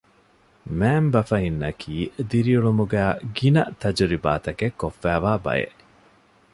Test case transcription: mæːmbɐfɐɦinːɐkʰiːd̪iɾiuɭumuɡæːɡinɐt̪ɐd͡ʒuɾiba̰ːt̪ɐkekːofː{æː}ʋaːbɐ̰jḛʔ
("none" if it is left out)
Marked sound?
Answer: æː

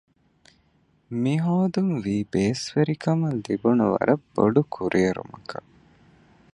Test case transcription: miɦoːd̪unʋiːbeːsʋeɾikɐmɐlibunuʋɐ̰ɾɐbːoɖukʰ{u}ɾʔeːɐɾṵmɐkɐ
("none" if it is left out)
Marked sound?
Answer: u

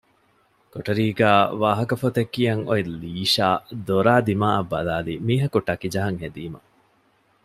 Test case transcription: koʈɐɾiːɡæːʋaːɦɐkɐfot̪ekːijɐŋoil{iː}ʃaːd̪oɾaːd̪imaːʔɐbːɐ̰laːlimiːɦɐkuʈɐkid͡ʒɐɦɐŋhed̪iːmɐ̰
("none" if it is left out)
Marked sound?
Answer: iː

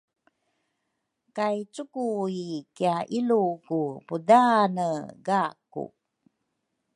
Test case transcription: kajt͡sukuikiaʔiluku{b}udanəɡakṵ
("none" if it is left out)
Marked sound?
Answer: p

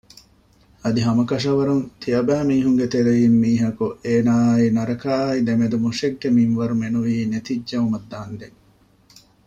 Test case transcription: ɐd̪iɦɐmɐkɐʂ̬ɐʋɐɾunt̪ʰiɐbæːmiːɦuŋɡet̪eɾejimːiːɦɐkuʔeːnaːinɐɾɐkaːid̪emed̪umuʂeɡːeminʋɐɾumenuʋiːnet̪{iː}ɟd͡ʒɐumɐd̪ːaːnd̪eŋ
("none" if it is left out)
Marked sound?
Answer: i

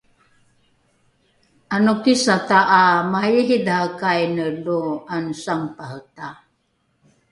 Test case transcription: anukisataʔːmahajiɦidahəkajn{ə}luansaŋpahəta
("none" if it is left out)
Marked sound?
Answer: ə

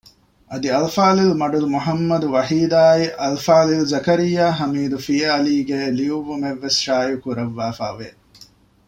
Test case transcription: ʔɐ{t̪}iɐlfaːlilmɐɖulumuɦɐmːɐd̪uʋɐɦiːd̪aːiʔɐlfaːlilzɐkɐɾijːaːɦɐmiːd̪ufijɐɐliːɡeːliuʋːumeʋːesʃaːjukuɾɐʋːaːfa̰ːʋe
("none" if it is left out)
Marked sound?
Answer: d̪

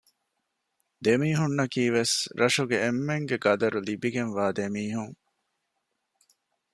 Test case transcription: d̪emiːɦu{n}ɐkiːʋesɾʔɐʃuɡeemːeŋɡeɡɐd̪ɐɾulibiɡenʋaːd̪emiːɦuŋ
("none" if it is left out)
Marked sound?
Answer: nː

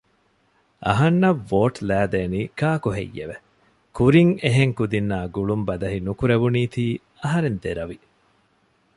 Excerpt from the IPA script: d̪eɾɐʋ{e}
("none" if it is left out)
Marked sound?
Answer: i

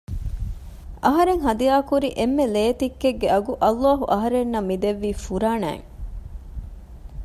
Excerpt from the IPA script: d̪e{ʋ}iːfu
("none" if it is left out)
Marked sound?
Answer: ʋː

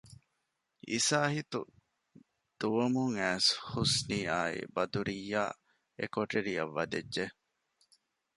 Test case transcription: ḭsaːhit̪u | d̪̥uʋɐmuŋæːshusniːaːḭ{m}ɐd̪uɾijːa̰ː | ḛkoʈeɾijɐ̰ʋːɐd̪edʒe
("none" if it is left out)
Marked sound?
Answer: b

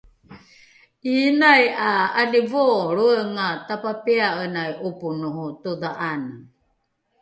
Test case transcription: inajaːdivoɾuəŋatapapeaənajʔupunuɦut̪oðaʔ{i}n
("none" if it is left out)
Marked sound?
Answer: a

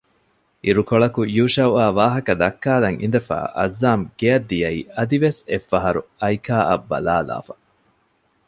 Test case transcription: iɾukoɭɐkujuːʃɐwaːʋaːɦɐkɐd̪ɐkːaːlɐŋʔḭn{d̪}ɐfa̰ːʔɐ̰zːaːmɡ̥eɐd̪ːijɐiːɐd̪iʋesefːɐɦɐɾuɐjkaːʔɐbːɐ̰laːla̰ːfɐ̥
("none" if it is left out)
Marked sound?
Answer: d̪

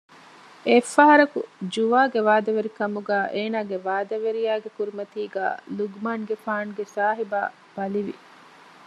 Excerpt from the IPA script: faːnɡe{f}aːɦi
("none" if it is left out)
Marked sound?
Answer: s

